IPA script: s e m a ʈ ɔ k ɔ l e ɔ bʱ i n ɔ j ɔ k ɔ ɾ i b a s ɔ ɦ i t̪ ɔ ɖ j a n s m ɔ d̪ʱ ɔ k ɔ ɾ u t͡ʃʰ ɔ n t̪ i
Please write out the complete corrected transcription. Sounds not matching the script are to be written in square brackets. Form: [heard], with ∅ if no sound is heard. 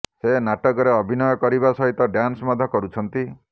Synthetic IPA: s e [n] a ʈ ɔ k ɔ [ɾ] e ɔ bʱ i n ɔ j ɔ k ɔ ɾ i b a s ɔ ɦ i t̪ ɔ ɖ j a n s m ɔ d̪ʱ ɔ k ɔ ɾ u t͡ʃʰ ɔ n t̪ i

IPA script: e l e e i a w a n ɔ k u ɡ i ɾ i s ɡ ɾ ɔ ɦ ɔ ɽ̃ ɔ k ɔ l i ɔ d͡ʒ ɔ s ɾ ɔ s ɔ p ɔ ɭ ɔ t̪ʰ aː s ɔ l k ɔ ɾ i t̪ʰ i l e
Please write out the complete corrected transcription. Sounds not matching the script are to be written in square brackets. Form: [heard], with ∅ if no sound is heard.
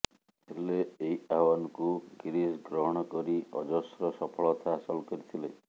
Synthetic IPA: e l e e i a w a n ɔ k u ɡ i ɾ i s ɡ ɾ ɔ ɦ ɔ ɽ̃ ɔ k ɔ [ɾ] i ɔ d͡ʒ ɔ s ɾ ɔ s ɔ [pʰ] ɔ ɭ ɔ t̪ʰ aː s ɔ l k ɔ ɾ i t̪ʰ i l e

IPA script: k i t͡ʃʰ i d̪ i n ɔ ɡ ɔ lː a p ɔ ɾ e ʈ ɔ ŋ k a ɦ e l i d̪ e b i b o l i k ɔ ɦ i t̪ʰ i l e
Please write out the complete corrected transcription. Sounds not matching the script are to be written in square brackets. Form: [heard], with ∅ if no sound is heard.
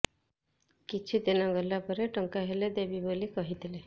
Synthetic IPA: k i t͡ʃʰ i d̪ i n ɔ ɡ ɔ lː a p ɔ ɾ e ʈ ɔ ŋ k a ɦ e l [e] d̪ e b i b o l i k ɔ ɦ i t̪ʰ i l e

